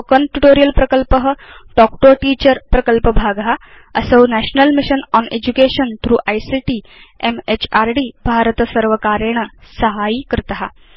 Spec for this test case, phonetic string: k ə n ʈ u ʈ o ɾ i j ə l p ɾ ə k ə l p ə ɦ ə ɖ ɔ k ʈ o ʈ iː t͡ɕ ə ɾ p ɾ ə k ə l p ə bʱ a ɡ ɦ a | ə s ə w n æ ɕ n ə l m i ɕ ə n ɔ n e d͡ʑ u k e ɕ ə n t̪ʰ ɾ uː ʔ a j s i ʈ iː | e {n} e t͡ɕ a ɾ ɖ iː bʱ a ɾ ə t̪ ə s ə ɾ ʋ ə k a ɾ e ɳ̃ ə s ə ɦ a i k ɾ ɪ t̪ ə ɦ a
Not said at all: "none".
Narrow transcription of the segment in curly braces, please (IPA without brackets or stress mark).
m